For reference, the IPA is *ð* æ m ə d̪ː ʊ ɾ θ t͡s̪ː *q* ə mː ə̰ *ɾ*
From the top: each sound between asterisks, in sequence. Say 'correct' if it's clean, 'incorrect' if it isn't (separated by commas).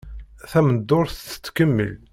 incorrect, incorrect, incorrect